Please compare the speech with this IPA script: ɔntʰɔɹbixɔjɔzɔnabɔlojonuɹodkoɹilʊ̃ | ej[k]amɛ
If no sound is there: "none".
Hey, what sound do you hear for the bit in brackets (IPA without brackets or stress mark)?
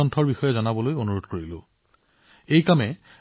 k